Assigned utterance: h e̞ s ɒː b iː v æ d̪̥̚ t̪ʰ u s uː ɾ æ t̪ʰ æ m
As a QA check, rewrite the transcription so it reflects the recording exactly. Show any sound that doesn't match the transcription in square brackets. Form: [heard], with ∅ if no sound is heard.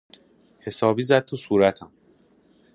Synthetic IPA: h e̞ s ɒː b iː [z] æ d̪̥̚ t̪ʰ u s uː ɾ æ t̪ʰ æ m

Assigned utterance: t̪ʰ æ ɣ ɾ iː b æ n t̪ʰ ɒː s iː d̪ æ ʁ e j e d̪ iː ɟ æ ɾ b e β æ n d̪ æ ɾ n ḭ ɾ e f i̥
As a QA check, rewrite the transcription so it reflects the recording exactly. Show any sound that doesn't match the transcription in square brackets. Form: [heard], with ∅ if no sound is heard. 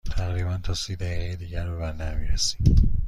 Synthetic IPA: t̪ʰ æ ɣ ɾ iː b æ n t̪ʰ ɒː s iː d̪ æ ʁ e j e d̪ iː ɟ æ ɾ b e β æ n d̪ æ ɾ [m] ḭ ɾ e [s] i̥

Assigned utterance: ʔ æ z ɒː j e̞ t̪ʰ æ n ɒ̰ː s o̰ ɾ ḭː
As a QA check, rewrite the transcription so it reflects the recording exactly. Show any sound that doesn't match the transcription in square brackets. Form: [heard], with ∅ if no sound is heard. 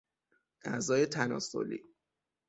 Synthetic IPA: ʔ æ z ɒː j e̞ t̪ʰ æ n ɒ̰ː s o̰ [l] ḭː

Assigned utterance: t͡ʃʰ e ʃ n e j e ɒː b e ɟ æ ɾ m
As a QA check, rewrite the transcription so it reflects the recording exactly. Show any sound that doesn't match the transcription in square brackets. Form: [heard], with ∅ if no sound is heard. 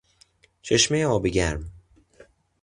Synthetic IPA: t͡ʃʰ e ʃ [m] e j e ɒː b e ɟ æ ɾ m

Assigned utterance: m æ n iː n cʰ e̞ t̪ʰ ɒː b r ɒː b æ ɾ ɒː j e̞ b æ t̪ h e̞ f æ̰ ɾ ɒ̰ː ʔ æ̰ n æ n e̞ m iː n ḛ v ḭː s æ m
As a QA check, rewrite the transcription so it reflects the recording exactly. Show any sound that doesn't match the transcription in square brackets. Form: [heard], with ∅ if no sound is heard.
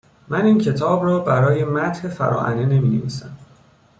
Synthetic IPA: m æ n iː n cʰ e̞ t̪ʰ ɒː b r ɒː b æ ɾ ɒː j e̞ [m] æ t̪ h e̞ f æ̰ ɾ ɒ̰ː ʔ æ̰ n [e] n e̞ m iː n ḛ v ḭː s æ m

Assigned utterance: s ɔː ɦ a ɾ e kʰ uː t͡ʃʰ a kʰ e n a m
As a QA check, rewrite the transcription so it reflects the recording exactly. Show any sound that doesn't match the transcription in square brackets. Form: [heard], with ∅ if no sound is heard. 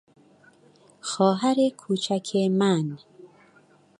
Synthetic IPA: [x] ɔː ɦ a ɾ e kʰ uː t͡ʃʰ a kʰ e [m] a [n]

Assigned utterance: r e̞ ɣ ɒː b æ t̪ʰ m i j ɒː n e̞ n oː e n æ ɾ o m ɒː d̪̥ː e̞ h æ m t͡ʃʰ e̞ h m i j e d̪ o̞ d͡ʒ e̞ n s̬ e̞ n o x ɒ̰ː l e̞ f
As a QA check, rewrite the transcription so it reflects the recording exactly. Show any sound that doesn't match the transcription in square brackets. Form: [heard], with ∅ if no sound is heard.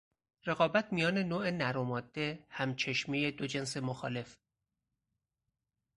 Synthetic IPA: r e̞ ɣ ɒː b æ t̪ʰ m i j ɒː n e̞ n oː e n æ ɾ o m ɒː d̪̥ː e̞ h æ m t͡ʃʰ e̞ [ʃ] m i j e d̪ o̞ d͡ʒ e̞ n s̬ e̞ [m] o x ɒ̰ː l e̞ f

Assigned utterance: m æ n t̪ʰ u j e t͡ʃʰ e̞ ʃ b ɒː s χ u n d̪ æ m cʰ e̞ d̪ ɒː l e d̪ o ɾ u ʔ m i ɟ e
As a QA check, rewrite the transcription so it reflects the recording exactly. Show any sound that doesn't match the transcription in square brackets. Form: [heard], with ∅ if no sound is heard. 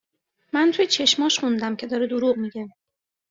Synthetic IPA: m æ n t̪ʰ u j e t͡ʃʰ e̞ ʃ [m] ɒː [ʃ] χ u n d̪ æ m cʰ e̞ d̪ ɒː [ɾ] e d̪ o ɾ u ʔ m i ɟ e

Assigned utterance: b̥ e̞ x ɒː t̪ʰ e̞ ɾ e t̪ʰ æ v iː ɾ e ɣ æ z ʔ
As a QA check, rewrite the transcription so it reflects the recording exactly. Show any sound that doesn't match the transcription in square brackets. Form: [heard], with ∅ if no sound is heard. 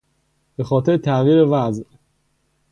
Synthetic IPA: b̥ e̞ x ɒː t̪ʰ e̞ ɾ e t̪ʰ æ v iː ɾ e [v] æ z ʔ

